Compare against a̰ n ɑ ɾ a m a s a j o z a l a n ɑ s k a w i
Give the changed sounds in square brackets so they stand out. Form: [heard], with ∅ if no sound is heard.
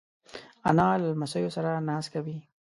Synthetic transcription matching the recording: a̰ n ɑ [l] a m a s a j o [s] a [ɾ] a n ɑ s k a w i